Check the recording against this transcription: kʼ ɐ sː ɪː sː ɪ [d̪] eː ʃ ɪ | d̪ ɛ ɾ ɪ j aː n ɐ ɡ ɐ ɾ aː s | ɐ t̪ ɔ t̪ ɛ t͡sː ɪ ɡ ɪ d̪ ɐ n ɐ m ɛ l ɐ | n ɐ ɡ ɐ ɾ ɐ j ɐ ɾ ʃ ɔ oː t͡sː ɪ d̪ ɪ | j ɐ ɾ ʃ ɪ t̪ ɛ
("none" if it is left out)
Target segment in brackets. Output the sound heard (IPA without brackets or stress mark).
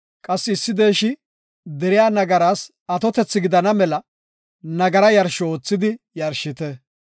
d̪